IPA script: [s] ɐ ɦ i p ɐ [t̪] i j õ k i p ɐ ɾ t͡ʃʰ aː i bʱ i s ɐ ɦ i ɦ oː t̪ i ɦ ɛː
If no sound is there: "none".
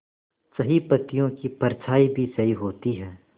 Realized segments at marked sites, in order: s, t̪

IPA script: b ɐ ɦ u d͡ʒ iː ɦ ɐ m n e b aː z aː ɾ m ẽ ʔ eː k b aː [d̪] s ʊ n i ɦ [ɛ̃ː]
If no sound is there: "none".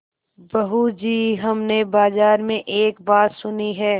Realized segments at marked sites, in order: t̪, ɛː

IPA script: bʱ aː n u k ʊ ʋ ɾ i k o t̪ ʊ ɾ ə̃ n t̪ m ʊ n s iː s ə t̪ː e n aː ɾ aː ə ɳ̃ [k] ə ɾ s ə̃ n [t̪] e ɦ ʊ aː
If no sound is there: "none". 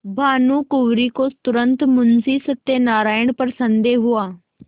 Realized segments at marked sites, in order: p, d̪

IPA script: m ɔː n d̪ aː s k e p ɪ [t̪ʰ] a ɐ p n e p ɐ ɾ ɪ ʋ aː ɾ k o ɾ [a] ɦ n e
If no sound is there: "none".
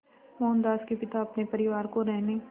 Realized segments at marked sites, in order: t̪, ɛ

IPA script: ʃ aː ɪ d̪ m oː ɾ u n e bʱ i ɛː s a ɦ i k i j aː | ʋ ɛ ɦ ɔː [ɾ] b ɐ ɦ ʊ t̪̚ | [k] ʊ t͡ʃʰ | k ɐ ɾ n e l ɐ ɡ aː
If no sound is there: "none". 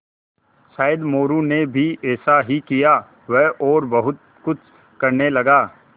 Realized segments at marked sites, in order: ɾ, k

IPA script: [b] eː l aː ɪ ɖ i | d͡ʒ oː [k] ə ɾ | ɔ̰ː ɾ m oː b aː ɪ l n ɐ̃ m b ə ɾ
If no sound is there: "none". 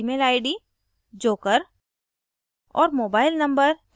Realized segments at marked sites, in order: m, k

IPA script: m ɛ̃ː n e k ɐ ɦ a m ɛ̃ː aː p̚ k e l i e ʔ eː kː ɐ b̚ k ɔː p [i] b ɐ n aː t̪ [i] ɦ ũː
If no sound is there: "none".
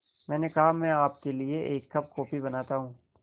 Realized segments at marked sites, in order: i, a

